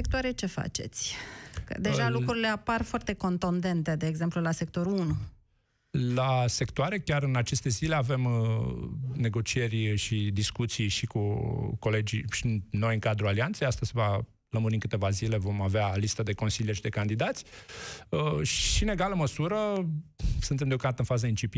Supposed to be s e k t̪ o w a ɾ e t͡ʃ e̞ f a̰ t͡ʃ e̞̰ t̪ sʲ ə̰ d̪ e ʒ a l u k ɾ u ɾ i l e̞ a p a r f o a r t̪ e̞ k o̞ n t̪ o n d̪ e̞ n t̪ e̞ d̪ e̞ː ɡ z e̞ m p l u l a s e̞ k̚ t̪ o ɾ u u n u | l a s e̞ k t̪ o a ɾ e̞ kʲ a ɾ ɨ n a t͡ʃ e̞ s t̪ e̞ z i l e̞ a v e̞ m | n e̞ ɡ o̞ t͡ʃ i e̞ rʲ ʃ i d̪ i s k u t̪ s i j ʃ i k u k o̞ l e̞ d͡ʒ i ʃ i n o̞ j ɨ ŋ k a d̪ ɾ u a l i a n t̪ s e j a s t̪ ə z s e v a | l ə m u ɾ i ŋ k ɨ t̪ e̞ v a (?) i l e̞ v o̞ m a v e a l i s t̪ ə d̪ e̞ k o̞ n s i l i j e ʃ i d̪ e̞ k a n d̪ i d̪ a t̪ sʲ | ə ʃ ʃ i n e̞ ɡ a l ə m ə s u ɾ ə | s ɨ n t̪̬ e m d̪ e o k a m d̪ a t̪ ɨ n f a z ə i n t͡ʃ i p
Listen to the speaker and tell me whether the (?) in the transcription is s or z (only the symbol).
z